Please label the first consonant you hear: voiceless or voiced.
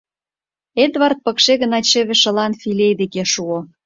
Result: voiced